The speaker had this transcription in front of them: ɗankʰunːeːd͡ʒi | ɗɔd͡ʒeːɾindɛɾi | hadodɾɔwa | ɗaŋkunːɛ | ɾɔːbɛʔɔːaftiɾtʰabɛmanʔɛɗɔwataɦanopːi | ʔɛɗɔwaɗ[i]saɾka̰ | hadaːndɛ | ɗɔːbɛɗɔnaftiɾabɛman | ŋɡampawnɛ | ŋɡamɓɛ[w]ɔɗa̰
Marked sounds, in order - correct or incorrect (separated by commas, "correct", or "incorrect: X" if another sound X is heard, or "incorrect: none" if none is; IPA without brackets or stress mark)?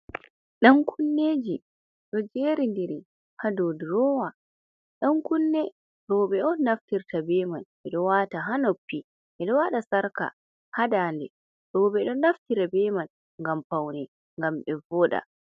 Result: incorrect: a, incorrect: v